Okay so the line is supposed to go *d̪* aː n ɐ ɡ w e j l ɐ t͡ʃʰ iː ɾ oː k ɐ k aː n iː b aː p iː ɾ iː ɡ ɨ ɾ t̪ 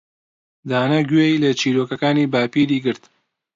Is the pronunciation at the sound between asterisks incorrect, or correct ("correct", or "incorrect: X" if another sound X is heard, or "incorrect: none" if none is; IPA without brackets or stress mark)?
correct